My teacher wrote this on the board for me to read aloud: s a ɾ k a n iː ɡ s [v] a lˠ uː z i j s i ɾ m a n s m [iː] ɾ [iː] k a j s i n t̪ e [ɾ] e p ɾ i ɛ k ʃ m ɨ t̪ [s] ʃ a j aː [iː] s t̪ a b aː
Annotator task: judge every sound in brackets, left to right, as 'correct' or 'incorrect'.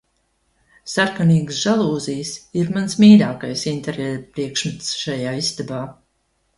incorrect: ʒ, correct, incorrect: aː, correct, correct, incorrect: i

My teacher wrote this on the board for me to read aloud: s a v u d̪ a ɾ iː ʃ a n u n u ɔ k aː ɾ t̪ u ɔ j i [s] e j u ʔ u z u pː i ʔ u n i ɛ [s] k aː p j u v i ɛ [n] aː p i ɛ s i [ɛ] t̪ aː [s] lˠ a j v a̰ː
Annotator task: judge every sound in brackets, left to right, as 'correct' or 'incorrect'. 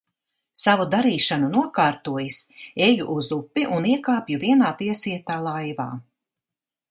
correct, incorrect: none, correct, correct, incorrect: none

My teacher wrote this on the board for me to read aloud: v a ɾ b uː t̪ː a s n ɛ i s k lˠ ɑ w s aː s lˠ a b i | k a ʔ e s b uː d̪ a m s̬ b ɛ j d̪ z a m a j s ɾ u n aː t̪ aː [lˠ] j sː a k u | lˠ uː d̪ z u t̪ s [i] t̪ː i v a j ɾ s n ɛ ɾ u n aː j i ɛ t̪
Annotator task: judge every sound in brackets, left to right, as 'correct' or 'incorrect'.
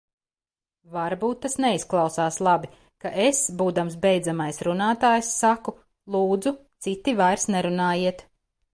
incorrect: none, correct

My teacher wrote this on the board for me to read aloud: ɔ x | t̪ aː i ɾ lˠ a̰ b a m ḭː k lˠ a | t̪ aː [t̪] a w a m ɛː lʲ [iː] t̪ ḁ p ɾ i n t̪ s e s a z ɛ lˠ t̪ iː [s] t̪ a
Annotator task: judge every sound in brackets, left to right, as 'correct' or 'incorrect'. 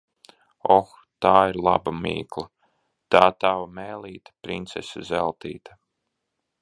correct, correct, incorrect: none

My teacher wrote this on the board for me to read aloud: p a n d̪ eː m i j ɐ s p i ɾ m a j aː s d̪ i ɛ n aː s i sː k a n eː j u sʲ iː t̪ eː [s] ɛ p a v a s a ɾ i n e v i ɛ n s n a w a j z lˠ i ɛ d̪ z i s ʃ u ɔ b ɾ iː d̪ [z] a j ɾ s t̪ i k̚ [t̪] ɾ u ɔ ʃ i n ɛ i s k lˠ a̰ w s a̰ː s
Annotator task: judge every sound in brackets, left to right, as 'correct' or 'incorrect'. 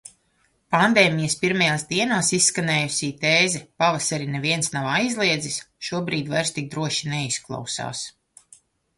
incorrect: z, incorrect: v, incorrect: d̪

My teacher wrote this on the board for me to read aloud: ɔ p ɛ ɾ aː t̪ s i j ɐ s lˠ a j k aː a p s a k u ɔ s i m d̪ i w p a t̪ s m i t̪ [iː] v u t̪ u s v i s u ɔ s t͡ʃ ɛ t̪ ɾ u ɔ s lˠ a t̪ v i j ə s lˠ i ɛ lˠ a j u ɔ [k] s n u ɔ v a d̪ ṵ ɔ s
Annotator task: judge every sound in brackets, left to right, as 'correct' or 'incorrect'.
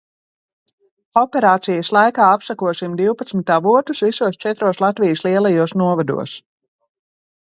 incorrect: aː, incorrect: none

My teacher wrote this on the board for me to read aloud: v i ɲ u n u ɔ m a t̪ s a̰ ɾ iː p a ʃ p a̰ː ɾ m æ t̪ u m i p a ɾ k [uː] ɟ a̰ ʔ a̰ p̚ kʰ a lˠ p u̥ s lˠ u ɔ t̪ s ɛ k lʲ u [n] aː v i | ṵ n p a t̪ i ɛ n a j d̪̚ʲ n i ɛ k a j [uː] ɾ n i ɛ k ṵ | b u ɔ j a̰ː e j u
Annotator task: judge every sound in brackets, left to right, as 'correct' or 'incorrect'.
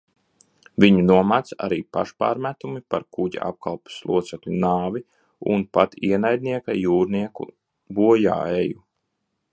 incorrect: u, correct, correct

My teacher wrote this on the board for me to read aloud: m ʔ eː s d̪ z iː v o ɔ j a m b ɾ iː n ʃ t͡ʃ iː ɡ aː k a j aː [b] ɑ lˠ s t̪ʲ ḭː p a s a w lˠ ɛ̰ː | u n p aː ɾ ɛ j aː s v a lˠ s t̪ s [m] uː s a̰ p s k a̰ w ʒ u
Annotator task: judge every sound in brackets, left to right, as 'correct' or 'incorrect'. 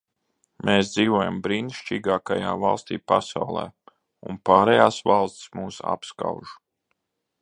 incorrect: v, correct

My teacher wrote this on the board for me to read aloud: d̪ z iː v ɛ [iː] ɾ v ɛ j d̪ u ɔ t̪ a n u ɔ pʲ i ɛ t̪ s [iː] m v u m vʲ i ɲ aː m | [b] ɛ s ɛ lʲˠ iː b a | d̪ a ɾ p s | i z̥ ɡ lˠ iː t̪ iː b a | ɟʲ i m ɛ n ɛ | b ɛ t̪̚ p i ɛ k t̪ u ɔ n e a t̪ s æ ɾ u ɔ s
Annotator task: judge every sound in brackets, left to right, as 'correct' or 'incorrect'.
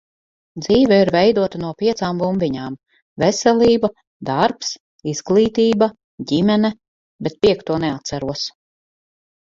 incorrect: i, incorrect: aː, incorrect: v

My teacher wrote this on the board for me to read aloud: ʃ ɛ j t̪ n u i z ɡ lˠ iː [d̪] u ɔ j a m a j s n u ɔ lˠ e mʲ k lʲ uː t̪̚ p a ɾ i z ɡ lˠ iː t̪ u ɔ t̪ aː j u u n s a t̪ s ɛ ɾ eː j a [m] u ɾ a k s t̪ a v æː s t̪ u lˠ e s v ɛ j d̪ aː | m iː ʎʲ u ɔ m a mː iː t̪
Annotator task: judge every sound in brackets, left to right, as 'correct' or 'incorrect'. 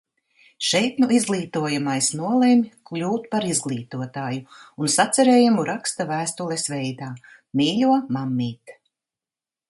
incorrect: t̪, correct

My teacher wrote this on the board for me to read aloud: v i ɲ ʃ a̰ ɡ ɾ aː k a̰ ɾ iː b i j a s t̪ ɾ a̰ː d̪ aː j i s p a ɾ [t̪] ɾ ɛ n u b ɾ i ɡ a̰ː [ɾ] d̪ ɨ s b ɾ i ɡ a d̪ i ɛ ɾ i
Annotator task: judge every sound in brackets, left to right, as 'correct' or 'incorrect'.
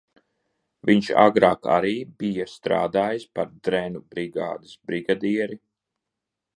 incorrect: d̪, incorrect: none

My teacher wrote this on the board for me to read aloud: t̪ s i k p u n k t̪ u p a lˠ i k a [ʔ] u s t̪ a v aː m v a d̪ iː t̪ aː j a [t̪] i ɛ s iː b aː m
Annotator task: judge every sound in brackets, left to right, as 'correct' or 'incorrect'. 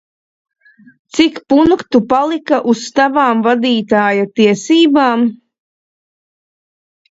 correct, correct

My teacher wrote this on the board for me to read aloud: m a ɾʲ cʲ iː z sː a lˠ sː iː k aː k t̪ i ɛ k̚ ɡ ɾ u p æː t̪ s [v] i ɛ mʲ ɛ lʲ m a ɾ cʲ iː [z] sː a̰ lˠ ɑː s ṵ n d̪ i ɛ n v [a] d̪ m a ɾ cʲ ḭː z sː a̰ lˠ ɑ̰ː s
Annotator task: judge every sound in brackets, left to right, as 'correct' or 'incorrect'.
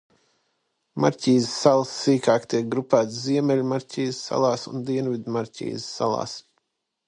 incorrect: z, correct, incorrect: i

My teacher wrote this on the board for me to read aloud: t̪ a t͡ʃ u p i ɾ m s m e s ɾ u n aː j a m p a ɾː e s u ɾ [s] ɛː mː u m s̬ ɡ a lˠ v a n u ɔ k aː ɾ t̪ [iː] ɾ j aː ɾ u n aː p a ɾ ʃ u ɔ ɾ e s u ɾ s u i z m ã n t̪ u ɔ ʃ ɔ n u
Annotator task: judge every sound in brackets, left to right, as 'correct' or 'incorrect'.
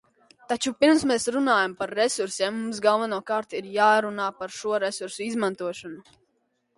correct, incorrect: i

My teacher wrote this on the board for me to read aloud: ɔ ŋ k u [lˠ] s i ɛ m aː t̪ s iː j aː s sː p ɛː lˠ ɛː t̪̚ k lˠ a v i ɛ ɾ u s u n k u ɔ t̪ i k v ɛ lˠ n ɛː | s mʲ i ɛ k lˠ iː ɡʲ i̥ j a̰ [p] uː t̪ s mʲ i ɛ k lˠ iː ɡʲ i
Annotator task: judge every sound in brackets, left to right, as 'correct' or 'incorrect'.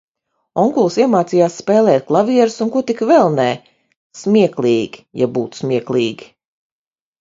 correct, incorrect: b

